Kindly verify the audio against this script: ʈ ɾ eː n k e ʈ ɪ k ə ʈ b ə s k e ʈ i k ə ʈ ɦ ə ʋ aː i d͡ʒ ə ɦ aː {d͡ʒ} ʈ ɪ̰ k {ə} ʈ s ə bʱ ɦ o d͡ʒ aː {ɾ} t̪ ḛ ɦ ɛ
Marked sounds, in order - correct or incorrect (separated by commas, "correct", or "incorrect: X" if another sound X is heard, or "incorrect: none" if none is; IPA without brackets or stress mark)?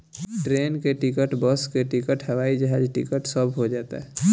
correct, correct, incorrect: none